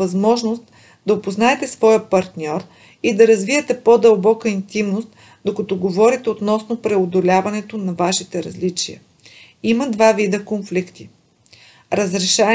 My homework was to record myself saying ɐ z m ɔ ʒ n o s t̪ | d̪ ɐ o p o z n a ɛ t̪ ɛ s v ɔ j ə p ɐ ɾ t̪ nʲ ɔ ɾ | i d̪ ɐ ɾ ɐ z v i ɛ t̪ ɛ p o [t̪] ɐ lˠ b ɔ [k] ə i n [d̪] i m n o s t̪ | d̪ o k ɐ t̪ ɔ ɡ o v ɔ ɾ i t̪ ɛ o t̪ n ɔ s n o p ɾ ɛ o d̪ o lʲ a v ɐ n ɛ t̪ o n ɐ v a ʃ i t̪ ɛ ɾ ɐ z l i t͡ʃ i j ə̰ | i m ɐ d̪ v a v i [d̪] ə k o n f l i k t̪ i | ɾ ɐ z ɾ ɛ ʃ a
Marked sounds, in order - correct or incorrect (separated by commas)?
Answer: incorrect, correct, incorrect, correct